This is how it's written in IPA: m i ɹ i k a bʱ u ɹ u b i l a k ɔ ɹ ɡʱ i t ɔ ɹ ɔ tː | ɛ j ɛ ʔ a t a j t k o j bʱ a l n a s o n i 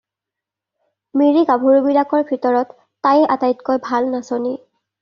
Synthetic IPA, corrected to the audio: m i ɹ i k a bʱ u ɹ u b i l a k ɔ ɹ bʱ i t ɔ ɹ ɔ tː | a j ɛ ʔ a t a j t k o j bʱ a l n a s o n i